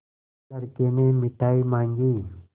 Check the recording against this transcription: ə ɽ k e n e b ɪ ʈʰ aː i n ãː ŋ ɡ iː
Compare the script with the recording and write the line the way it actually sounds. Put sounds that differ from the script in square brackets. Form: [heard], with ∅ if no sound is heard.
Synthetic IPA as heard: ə [ɾ] k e n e [m] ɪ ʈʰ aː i [m] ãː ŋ ɡ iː